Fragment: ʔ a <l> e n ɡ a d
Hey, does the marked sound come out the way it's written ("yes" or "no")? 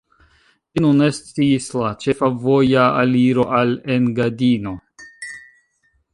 yes